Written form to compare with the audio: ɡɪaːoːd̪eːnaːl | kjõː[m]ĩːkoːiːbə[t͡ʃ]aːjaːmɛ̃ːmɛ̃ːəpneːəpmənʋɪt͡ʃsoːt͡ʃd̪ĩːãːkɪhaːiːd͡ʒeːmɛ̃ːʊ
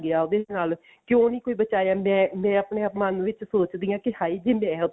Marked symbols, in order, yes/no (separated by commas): no, yes